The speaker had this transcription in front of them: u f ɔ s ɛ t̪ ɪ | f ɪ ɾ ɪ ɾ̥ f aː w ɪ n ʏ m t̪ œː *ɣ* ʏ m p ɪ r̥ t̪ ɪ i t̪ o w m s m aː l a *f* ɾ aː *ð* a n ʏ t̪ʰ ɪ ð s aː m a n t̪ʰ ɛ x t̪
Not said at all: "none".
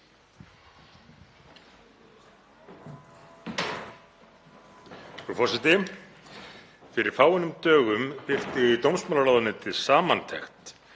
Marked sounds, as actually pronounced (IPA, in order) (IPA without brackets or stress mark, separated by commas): ɣ, none, ð